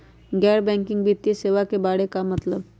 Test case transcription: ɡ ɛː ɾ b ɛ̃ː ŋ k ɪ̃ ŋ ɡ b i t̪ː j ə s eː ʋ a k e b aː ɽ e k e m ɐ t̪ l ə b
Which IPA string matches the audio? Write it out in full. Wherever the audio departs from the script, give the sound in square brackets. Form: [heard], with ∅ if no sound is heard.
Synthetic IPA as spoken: ɡ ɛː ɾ b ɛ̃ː ŋ k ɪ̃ ŋ ɡ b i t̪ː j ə s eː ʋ a k e b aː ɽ e k [a] m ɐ t̪ l ə b